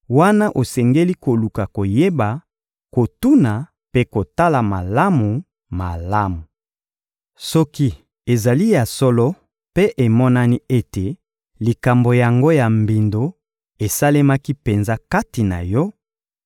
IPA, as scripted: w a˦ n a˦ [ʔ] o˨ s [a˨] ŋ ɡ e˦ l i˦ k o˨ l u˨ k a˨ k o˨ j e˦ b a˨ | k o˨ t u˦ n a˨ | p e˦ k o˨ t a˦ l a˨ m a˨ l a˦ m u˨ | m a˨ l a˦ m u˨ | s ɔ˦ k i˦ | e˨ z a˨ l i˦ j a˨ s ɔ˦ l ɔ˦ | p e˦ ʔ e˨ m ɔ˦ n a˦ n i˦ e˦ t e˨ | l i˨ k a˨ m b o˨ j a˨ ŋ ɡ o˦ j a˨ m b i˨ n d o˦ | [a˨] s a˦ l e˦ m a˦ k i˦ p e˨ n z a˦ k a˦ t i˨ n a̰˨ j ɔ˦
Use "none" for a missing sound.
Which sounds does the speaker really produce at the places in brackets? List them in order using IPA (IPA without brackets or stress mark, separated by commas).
ʔ, ɛ˨, e˨